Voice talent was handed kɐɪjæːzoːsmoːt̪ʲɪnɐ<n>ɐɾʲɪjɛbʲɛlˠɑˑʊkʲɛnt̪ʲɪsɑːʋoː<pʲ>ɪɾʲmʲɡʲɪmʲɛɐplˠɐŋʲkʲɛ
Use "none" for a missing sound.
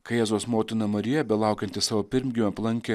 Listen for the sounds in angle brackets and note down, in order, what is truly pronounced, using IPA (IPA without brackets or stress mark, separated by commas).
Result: m, pʲ